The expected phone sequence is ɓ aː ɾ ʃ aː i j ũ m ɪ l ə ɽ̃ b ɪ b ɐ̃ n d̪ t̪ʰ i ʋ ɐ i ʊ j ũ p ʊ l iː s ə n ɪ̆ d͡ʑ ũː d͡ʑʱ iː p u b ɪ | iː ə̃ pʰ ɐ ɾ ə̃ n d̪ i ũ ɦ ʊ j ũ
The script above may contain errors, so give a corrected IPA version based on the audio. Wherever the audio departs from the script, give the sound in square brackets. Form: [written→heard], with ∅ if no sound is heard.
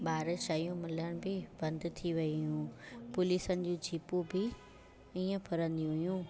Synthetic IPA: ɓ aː ɾ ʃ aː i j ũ m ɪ l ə ɽ̃ b ɪ b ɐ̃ n d̪ t̪ʰ i ʋ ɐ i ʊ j ũ p ʊ l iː s ə n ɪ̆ d͡ʑ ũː d͡ʑʱ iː p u b ɪ | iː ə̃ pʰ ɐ ɾ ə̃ n d̪ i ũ ɦ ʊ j ũ